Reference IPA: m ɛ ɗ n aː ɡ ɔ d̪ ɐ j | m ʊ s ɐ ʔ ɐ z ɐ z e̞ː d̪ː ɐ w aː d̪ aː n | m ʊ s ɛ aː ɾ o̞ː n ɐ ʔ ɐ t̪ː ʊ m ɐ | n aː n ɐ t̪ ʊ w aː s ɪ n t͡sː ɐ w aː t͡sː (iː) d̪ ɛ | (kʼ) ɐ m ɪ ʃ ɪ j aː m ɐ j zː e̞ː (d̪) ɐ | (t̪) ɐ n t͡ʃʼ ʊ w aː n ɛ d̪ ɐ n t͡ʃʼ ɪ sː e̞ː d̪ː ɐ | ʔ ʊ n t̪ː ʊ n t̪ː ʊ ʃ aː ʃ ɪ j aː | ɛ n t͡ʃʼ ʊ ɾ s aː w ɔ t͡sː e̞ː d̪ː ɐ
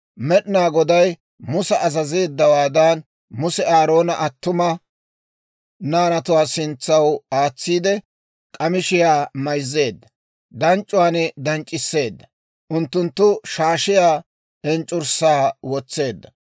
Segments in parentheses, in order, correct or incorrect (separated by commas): correct, correct, incorrect, incorrect